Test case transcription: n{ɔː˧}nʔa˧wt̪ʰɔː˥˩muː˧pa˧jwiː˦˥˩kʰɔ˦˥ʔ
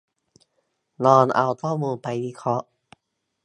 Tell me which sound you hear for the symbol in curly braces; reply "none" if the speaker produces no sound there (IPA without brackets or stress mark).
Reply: ɔː˧